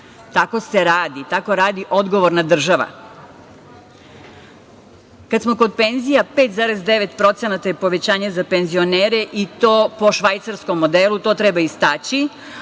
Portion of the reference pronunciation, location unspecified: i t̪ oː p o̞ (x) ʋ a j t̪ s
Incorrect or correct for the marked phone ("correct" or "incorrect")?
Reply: incorrect